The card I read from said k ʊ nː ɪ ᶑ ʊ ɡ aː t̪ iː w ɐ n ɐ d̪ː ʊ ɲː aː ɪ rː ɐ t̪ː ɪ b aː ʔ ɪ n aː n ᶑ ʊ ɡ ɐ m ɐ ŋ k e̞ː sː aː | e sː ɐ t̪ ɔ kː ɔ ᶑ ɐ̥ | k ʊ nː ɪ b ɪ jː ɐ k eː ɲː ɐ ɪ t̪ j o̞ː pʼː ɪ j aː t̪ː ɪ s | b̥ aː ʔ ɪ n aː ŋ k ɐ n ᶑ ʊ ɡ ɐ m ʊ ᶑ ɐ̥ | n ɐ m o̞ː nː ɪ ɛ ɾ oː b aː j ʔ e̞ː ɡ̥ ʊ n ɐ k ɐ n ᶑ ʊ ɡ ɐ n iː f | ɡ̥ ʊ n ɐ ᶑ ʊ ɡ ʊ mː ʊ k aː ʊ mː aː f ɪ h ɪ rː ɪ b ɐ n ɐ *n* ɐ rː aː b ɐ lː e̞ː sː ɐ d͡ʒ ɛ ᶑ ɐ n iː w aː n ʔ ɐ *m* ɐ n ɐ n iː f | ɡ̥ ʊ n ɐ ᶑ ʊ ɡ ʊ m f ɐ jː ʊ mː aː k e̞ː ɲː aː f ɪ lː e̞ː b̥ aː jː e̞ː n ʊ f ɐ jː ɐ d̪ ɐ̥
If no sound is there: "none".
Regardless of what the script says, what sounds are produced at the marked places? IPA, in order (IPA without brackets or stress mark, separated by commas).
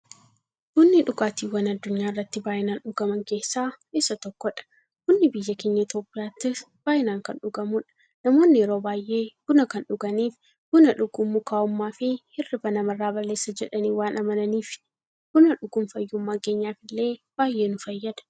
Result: m, m